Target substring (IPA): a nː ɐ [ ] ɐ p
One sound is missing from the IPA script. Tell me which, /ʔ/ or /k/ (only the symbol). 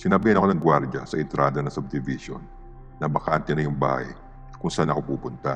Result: k